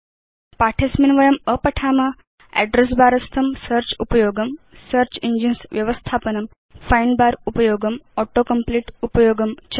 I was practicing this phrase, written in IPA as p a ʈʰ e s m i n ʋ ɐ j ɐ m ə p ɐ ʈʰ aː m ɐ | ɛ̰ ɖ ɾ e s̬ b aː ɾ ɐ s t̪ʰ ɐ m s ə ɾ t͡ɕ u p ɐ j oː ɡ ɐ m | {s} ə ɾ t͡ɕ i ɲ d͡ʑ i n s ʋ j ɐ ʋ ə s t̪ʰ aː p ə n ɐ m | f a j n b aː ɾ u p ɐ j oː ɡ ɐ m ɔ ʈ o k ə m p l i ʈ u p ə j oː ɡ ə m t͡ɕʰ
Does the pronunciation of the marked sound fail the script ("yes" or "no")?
no